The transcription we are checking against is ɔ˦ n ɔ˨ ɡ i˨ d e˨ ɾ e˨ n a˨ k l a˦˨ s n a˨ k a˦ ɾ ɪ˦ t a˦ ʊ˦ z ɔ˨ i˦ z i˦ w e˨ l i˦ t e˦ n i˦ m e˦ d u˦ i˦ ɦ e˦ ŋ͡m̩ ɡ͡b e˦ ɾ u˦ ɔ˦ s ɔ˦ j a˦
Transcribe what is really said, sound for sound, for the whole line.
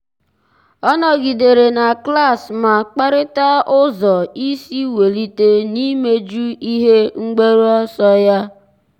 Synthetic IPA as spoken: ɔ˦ n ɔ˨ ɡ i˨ d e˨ ɾ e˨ n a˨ k l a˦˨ s m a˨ k͡p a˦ ɾ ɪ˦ t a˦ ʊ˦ z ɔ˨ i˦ s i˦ w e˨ l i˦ t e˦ n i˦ m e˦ d͡ʒ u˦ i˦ ɦ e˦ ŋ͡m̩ ɡ͡b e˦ ɾ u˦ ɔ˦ s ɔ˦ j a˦